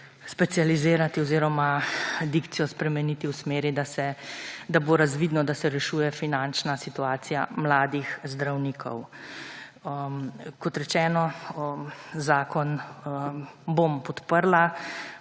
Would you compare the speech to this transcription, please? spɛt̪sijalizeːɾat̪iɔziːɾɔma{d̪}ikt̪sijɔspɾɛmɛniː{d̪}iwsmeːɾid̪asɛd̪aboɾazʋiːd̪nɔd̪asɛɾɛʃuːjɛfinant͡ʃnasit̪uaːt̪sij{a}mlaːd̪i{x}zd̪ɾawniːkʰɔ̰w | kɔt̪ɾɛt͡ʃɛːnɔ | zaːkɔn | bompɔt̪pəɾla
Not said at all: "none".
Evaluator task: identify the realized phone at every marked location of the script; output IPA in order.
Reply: d̪, t̪, a, x

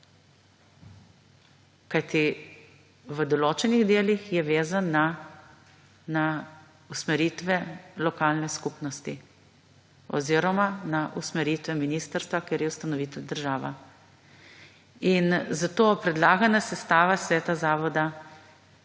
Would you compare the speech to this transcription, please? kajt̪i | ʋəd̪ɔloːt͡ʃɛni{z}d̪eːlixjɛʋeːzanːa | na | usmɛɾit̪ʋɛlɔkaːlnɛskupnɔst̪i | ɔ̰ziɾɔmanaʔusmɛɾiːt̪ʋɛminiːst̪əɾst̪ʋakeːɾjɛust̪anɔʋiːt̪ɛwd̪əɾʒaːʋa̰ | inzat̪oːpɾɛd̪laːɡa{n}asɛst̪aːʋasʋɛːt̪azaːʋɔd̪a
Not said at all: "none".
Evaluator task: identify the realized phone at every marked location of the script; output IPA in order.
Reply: ɣ, n

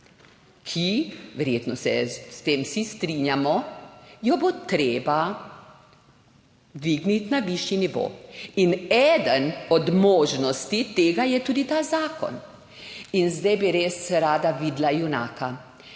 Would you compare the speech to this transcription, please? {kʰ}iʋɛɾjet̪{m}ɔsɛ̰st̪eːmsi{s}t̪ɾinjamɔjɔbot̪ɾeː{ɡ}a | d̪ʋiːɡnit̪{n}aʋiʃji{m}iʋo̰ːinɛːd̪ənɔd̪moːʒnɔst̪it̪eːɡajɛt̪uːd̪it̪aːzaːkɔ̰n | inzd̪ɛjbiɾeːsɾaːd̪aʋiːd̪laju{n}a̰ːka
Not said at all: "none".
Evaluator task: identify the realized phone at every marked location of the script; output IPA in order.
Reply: kʰ, n, s, b, n, n, n

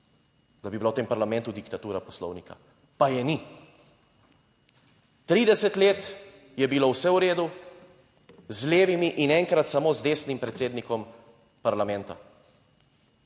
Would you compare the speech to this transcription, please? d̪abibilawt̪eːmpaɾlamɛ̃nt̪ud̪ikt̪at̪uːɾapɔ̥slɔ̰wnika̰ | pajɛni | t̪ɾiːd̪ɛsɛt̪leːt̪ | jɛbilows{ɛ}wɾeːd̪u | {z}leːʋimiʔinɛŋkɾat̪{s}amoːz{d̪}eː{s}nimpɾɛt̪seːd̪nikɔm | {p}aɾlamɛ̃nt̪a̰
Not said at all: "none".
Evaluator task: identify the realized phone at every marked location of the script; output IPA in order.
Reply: ɛ, z, s, d̪, s, p

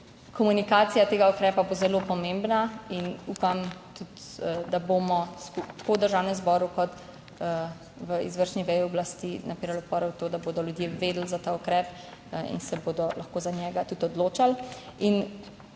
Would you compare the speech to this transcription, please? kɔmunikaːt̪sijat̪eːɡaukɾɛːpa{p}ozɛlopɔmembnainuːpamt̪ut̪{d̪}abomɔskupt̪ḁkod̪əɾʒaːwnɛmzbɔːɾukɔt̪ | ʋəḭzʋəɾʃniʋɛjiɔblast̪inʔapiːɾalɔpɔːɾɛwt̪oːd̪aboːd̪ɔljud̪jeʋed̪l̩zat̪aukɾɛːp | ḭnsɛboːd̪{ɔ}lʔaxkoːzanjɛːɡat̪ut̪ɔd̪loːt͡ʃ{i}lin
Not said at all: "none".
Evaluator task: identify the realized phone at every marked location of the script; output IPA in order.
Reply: b, d̪, ɔ, a

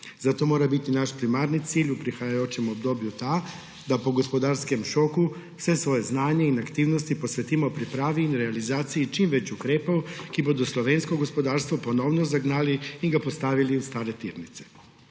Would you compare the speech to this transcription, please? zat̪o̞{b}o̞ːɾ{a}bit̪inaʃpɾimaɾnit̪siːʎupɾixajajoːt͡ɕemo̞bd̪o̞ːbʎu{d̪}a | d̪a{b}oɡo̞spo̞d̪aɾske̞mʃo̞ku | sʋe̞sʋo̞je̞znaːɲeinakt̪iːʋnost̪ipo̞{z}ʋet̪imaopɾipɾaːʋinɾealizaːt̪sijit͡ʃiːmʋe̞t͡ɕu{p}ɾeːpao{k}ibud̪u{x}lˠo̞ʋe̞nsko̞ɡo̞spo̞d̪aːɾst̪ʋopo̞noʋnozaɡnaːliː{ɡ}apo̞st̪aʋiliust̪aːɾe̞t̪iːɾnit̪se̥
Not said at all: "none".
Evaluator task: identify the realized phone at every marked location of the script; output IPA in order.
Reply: m, a, t̪, p, s, k, k, s, ɡ

